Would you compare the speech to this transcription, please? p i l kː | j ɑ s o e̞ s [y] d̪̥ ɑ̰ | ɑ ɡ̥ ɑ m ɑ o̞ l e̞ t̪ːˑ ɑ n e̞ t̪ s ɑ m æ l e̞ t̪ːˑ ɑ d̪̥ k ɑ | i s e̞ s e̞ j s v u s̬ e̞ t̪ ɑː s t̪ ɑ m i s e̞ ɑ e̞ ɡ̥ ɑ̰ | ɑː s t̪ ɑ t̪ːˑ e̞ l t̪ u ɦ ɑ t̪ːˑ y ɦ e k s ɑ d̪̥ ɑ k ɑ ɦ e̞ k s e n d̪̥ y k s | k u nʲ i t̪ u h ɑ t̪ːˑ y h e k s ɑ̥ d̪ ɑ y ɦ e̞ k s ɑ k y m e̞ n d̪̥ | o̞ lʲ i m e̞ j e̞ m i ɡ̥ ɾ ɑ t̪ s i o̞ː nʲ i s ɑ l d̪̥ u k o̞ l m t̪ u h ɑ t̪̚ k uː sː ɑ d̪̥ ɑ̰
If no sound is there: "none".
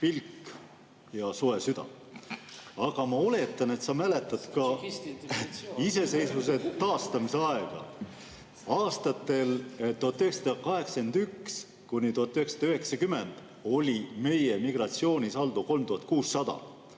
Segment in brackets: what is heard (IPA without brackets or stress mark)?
y